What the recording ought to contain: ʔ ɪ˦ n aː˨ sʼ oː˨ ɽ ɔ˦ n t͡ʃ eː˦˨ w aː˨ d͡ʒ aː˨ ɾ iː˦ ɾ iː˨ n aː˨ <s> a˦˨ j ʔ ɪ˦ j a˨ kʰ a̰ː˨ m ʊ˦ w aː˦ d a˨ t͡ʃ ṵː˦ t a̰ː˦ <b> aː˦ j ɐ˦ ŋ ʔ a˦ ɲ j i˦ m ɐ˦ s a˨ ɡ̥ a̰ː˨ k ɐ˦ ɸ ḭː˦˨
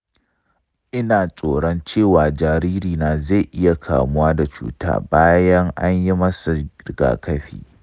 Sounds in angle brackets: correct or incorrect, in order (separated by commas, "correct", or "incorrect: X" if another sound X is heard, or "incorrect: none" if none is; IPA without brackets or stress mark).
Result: incorrect: z, correct